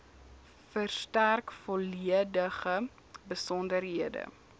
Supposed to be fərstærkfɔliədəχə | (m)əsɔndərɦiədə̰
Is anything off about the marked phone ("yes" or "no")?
yes